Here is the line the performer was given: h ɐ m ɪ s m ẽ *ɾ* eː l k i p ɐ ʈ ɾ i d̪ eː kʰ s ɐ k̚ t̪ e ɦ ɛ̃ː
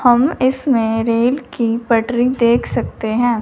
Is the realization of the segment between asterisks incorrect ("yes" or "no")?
no